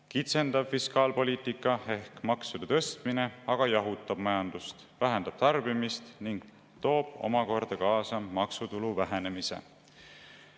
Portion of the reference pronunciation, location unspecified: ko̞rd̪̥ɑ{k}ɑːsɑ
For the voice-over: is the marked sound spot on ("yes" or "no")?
yes